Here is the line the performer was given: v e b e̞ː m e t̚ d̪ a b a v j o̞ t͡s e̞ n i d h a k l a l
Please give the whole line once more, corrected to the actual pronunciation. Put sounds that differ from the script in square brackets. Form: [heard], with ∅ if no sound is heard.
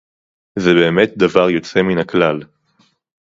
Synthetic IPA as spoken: [z] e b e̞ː m e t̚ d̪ a [v] a [ʁ] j o̞ t͡s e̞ [m] i [n] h a k l a l